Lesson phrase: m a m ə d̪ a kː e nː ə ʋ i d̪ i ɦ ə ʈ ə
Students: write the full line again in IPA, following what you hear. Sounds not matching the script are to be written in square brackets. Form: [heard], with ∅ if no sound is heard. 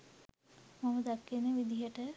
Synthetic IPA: m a m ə d̪ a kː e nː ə ʋ i d̪ i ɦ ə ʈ ə